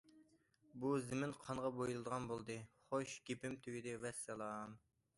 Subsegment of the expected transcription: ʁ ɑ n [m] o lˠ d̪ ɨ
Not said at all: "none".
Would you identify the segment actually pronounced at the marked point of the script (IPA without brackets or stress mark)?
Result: b